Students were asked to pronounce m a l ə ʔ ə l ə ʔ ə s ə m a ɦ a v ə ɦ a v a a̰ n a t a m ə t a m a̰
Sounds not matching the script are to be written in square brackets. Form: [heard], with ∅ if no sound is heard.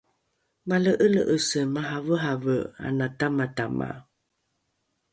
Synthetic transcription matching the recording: m a l ə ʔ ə l ə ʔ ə s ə m a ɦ a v ə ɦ a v [ə] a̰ n a t a m [a] t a m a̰